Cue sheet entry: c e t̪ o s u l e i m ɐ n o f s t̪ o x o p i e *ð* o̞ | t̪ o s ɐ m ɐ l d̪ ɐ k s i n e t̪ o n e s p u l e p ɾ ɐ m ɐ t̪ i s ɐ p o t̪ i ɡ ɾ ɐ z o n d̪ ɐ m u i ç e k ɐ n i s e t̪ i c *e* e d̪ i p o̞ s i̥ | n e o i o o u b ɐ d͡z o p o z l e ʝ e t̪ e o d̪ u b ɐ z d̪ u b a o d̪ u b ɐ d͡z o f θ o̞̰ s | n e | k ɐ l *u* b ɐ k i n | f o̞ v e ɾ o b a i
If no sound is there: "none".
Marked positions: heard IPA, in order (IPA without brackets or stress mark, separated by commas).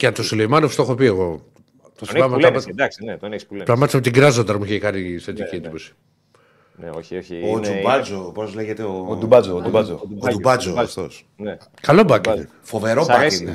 ɣ, i, o